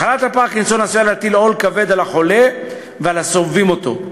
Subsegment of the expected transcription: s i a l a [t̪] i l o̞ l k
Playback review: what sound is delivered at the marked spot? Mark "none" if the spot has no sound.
t̪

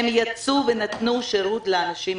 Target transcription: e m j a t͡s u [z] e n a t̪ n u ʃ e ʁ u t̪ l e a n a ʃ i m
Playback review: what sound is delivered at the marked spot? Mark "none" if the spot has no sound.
v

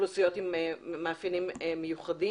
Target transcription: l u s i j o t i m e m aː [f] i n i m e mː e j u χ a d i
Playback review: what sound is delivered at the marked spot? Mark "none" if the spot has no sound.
f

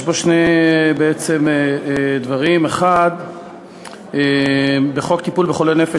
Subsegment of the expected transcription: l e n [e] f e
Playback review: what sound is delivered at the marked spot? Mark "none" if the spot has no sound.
e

